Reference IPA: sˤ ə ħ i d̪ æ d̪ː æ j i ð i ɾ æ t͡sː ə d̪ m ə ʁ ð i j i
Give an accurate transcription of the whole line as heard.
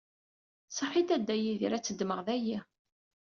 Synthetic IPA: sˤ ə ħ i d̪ æ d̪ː æ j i ð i ɾ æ t͡sː ə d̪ m ə ʁ ð æ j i